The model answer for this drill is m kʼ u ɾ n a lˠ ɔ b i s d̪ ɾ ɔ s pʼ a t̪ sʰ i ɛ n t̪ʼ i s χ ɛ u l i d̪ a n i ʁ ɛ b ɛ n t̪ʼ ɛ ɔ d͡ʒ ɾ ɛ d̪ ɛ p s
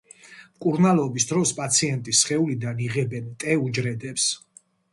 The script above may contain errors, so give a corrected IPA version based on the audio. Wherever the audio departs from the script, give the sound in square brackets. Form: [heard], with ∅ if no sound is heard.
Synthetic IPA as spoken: m kʼ u ɾ n a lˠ ɔ b i s d̪ ɾ ɔ s pʼ a t̪ sʰ i ɛ n t̪ʼ i s χ ɛ u l i d̪ a n i ʁ ɛ b ɛ n t̪ʼ ɛ [u] d͡ʒ ɾ ɛ d̪ ɛ p s